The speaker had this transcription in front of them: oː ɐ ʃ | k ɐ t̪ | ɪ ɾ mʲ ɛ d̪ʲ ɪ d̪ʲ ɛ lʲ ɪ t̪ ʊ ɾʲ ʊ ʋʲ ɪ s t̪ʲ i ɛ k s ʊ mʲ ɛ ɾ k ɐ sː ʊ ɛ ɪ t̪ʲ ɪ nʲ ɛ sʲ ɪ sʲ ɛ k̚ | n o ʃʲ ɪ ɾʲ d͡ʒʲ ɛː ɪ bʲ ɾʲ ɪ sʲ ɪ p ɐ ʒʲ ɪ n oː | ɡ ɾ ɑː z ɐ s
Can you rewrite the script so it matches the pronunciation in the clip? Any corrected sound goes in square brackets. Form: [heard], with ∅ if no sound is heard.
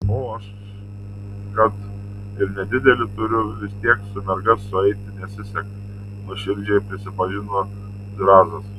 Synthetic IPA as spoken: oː ɐ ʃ | k ɐ t̪ | ɪ ɾ [nʲ] ɛ d̪ʲ ɪ d̪ʲ ɛ lʲ ɪ t̪ ʊ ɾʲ ʊ ʋʲ ɪ s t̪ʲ i ɛ k s ʊ mʲ ɛ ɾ [ɡ] ɐ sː ʊ ɛ ɪ t̪ʲ ɪ nʲ ɛ sʲ ɪ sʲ ɛ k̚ | n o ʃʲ ɪ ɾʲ d͡ʒʲ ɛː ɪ [pʲ] ɾʲ ɪ sʲ ɪ p ɐ ʒʲ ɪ n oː | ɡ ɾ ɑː z ɐ s